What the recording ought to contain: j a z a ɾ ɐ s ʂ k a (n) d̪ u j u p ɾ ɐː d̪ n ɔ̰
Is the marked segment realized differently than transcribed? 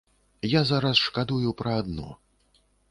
yes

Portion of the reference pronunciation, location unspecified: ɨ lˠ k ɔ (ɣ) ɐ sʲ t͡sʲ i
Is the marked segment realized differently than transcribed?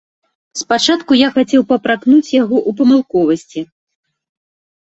yes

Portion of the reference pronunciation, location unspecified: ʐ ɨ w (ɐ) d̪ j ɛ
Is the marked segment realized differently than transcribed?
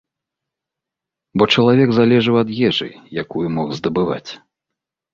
no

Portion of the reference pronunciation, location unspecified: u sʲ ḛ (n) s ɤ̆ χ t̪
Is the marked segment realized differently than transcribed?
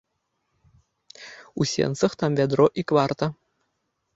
no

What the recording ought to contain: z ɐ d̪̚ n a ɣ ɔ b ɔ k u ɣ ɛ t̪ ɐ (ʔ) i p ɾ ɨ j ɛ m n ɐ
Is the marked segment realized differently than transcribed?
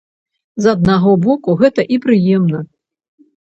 no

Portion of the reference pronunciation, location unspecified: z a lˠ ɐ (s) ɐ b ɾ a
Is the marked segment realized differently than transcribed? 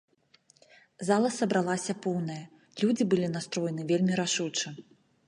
no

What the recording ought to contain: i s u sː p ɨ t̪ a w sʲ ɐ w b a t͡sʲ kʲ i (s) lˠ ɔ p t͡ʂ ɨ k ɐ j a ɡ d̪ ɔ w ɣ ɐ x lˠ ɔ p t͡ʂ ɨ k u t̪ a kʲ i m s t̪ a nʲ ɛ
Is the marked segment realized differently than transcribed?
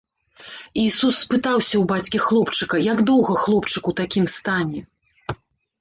yes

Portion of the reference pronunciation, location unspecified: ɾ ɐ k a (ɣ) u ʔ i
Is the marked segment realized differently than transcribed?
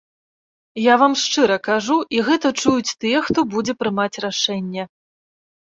yes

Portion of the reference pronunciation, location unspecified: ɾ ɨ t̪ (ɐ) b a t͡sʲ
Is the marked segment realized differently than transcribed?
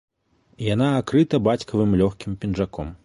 no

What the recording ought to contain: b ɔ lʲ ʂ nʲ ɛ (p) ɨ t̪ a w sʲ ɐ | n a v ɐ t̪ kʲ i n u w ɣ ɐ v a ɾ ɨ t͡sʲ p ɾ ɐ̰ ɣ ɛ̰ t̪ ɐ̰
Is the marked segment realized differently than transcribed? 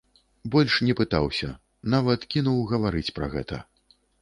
no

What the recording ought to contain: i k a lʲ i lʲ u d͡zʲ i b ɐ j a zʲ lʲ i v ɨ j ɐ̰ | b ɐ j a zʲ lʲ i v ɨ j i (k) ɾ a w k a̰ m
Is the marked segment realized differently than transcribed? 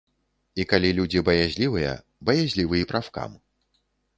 yes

